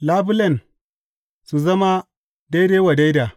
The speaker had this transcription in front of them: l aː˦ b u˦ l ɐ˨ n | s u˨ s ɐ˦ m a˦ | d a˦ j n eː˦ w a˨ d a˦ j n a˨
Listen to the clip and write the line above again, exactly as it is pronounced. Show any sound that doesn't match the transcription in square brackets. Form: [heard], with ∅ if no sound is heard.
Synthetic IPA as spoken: l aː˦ b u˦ l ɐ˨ n | s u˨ [z] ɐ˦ m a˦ | d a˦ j [d] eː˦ w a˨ d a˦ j [d] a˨